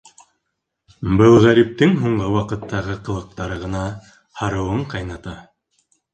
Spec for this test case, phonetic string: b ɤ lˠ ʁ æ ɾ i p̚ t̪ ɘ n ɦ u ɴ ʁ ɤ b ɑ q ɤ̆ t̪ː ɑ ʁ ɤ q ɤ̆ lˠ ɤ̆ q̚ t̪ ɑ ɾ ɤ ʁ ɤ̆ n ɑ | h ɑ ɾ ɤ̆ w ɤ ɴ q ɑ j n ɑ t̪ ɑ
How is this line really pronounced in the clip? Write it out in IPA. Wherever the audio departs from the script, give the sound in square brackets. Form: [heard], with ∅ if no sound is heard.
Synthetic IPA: b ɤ lˠ ʁ æ ɾ i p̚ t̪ ɘ [ŋ] ɦ u ɴ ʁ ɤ [w] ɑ q ɤ̆ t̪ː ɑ ʁ ɤ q ɤ̆ lˠ ɤ̆ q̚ t̪ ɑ ɾ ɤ ʁ ɤ̆ n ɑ | h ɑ ɾ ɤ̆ w ɤ ɴ q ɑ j n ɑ t̪ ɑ